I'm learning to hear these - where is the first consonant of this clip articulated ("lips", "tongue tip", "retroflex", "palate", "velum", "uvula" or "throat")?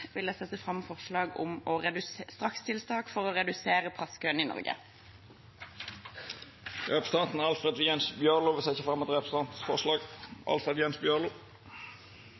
lips